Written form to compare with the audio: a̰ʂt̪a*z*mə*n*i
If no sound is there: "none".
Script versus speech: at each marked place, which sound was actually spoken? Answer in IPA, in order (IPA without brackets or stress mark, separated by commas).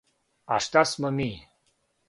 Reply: s, m